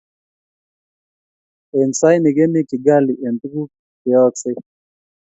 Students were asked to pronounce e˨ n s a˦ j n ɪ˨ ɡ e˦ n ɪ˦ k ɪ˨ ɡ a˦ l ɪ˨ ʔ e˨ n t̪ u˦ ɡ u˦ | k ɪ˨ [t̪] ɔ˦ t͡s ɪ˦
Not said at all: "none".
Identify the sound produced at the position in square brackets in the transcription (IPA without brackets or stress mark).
none